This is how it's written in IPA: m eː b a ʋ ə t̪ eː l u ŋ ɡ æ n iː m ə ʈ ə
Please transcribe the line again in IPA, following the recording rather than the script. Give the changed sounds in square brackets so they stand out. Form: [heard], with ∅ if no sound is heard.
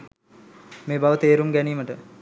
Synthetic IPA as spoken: m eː b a ʋ ə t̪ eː [ɾ] u [m] ɡ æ n iː m ə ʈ ə